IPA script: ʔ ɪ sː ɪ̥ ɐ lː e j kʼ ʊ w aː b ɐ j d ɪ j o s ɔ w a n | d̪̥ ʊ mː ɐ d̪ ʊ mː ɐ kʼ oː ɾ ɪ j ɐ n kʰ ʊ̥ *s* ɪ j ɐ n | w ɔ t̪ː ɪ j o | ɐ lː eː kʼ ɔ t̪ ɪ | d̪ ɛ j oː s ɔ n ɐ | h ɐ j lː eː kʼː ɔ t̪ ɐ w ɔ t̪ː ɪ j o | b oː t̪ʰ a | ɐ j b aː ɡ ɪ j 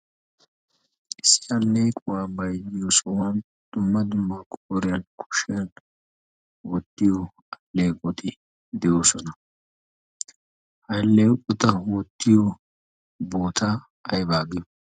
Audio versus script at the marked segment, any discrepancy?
yes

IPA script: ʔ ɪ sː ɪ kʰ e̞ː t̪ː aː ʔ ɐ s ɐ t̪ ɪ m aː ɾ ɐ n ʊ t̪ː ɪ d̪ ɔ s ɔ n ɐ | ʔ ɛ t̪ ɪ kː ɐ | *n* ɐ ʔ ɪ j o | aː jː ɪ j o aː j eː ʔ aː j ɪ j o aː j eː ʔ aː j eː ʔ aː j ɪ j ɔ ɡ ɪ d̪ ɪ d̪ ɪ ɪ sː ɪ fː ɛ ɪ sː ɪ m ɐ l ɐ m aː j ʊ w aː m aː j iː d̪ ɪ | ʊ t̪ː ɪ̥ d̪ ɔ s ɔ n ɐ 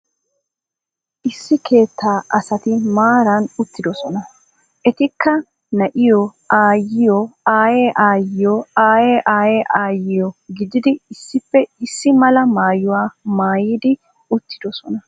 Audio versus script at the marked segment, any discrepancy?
no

